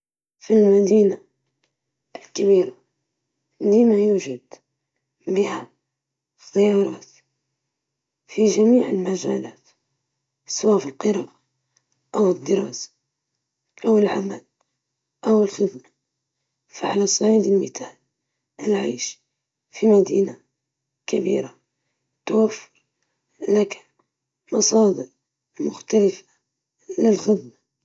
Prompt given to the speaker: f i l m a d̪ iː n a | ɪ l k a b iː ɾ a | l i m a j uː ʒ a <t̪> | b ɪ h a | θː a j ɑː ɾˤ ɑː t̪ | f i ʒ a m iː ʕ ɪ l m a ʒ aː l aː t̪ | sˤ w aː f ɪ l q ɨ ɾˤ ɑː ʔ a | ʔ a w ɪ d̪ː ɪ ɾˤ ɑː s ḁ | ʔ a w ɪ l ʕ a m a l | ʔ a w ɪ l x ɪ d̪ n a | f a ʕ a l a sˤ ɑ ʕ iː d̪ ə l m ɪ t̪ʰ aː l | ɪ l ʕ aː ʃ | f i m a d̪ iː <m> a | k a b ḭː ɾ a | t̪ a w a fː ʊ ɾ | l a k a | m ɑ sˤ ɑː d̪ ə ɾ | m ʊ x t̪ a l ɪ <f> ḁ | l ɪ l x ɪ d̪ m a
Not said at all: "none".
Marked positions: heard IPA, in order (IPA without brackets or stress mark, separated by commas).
d̪, n, f